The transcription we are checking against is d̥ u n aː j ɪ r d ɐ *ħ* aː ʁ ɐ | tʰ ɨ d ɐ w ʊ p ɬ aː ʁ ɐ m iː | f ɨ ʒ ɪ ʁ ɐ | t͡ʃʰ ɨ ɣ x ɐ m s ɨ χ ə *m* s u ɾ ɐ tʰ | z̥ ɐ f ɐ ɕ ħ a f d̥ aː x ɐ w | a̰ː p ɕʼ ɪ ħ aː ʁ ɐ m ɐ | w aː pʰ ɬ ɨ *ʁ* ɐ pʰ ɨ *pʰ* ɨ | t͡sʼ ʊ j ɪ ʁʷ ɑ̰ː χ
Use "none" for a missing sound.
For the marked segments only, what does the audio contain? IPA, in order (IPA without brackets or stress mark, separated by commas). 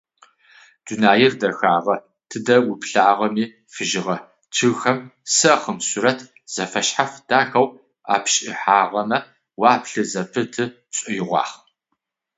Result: x, m, z, tʰ